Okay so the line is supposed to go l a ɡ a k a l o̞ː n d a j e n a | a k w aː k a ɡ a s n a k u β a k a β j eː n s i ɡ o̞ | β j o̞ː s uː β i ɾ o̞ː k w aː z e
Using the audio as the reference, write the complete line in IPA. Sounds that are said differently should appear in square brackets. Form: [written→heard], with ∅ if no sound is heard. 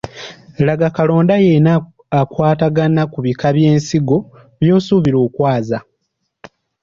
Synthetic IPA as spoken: l a ɡ a k a l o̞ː n d a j e n a | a k w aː [k→t] a ɡ a [s→∅] n a k u β [a→i] k a β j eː n s i ɡ o̞ | β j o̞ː s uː β i ɾ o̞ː k w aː z [e→a]